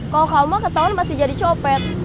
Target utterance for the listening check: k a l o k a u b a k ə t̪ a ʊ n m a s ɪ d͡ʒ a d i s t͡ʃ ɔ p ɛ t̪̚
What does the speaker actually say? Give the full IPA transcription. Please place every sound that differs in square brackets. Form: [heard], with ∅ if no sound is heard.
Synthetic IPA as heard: k a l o k a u [m] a k ə t̪ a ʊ n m a s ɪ d͡ʒ a d i [∅] t͡ʃ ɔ p ɛ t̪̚